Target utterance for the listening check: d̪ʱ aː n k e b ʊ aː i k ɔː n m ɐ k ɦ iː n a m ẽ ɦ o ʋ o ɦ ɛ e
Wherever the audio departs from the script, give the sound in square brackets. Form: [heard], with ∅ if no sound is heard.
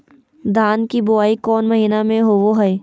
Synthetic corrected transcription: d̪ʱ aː n k [i] b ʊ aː i k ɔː n m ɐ [∅] ɦ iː n a m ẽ ɦ o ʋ o ɦ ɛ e